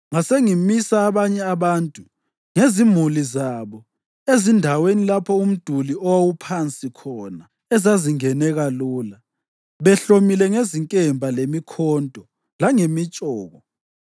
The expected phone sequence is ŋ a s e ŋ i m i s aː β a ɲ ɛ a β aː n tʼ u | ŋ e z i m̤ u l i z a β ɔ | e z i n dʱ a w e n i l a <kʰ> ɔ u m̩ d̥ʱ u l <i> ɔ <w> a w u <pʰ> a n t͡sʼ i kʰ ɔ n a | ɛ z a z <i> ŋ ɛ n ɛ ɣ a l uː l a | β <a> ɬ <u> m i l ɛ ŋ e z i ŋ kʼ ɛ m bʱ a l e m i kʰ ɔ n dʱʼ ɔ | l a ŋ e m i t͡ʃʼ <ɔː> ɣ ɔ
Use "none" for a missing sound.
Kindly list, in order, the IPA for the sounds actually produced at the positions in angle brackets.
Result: pʰ, i, w, pʰ, i, ɛ, o, ɔː

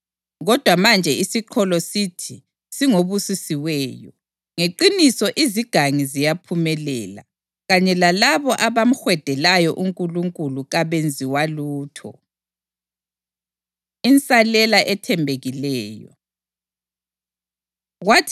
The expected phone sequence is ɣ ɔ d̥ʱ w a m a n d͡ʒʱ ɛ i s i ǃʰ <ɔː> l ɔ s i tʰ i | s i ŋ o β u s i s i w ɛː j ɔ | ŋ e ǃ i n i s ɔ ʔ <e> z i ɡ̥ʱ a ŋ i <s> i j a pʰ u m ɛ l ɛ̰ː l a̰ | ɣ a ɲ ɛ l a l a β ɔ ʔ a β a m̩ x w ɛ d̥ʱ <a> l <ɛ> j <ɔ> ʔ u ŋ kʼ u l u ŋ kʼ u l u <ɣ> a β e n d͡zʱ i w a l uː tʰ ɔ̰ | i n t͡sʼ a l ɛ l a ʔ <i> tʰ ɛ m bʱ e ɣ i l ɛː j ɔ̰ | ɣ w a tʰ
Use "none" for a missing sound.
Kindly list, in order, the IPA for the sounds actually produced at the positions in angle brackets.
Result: ɔ, i, z, ɛ, a, ɔ, ɣ, ɛ

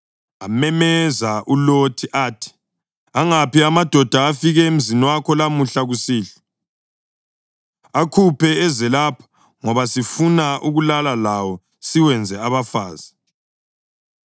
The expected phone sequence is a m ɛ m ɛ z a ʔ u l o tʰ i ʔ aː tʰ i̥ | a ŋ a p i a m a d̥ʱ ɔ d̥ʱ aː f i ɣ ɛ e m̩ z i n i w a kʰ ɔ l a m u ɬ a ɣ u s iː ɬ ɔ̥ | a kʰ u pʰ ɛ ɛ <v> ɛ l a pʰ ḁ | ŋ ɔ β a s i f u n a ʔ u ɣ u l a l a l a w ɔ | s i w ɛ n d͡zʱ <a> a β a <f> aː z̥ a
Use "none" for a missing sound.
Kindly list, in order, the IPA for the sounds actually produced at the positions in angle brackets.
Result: z, ɛ, f

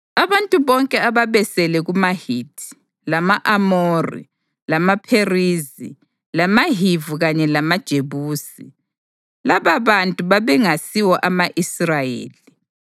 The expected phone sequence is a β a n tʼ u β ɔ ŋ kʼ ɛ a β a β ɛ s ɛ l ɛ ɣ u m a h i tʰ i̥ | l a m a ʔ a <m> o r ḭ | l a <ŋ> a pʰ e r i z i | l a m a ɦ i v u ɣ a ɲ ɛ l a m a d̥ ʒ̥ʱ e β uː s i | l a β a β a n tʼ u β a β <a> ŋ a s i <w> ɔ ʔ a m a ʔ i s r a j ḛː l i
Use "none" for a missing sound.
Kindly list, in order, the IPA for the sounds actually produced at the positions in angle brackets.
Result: m, m, ɛ, w

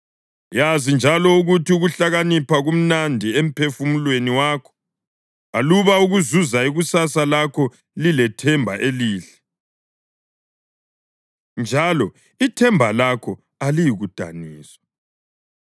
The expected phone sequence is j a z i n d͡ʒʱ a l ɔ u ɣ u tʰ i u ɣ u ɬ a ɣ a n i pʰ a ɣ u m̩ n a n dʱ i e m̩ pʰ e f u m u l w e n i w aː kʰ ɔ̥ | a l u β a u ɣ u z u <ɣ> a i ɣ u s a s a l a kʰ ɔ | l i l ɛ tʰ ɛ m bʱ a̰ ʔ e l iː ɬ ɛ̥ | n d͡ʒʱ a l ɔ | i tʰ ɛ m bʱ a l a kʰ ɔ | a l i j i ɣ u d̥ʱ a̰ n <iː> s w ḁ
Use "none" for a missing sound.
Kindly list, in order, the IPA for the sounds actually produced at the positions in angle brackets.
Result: z, iː

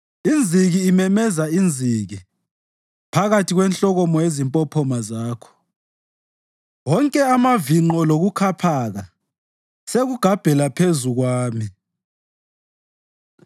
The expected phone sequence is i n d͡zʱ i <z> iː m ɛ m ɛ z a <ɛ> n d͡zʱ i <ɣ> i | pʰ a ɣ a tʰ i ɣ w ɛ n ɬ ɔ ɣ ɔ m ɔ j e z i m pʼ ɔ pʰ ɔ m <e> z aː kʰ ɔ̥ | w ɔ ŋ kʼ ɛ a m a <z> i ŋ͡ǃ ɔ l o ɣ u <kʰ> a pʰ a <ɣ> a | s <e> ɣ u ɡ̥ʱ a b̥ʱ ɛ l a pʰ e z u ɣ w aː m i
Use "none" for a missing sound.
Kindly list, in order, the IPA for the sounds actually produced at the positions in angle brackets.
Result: ɣ, i, ɣ, a, v, kʰ, ɣ, e

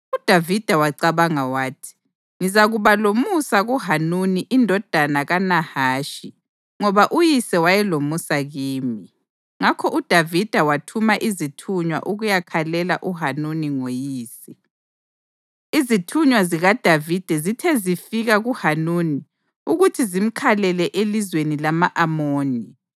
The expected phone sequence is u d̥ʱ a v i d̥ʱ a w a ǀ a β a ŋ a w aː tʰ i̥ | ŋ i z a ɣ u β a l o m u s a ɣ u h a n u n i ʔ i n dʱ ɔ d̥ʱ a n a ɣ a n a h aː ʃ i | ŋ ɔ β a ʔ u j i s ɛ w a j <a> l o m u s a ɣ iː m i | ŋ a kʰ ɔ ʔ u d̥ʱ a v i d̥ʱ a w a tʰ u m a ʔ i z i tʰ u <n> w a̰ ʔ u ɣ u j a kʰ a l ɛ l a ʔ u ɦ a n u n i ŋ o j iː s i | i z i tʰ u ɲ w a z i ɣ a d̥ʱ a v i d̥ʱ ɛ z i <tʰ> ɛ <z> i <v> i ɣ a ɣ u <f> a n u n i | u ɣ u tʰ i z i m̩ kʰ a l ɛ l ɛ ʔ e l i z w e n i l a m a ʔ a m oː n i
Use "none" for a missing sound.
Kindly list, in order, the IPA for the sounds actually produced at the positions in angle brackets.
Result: ɛ, ɲ, tʰ, z, f, h

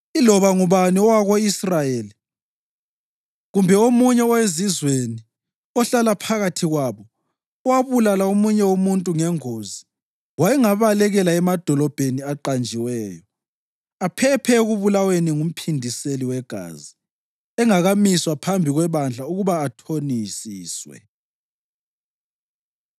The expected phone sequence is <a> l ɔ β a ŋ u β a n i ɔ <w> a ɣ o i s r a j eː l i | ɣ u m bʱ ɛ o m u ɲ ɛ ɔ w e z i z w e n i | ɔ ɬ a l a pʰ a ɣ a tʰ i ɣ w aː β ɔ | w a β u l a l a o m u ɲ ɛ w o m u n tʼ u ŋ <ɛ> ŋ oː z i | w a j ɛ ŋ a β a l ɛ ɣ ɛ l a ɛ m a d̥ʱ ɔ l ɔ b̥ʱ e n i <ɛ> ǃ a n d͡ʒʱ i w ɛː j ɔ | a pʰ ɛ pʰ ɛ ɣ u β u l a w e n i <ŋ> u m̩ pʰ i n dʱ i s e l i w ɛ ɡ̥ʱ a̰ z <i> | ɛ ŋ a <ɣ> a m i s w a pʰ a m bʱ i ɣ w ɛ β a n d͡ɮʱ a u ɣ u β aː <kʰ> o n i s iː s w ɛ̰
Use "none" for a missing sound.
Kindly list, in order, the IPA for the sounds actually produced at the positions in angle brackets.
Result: i, w, ɛ, a, ŋ, i, ɣ, tʰ

